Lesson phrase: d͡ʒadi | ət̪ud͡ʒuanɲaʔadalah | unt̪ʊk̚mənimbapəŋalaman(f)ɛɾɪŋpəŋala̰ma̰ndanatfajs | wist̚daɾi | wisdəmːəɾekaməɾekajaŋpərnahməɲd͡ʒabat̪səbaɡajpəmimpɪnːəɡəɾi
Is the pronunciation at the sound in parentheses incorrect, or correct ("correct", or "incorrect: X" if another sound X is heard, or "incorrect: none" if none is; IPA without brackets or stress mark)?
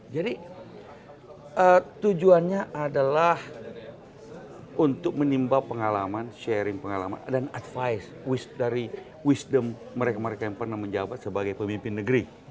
incorrect: ʃ